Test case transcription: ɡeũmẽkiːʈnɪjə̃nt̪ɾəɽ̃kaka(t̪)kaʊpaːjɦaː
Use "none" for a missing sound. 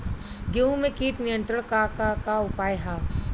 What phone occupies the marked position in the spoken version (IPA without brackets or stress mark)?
none